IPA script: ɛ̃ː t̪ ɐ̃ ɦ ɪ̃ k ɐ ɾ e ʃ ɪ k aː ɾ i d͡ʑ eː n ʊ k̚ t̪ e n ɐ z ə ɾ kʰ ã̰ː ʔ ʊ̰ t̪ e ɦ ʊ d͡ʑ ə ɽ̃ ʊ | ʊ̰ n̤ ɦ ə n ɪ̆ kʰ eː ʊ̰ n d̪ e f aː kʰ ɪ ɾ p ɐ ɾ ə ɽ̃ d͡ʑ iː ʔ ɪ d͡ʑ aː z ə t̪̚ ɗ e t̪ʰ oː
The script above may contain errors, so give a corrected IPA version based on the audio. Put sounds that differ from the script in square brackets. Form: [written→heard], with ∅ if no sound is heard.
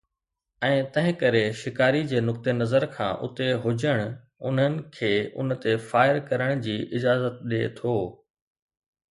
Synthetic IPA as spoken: ɛ̃ː t̪ ɐ̃ ɦ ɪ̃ k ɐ ɾ e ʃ ɪ k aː ɾ i d͡ʑ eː n ʊ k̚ t̪ e n ɐ z ə ɾ kʰ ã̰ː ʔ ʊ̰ t̪ e ɦ ʊ d͡ʑ ə ɽ̃ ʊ | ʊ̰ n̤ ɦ ə n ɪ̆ kʰ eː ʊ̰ n [d̪→t̪] e f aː [kʰ→∅] ɪ ɾ [p→k] ɐ ɾ ə ɽ̃ d͡ʑ iː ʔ ɪ d͡ʑ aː z ə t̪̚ ɗ e t̪ʰ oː